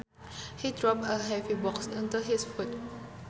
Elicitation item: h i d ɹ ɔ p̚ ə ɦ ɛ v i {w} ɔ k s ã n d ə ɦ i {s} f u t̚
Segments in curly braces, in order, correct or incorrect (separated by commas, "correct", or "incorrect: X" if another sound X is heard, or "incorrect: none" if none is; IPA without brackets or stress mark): incorrect: b, correct